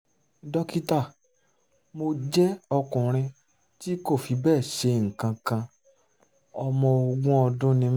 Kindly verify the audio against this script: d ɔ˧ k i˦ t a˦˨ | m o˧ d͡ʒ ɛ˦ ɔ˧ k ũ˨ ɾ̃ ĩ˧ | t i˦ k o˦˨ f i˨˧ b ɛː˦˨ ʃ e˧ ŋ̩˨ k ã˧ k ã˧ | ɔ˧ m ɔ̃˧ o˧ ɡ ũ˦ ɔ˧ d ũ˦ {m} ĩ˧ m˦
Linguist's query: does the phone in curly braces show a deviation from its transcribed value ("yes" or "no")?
yes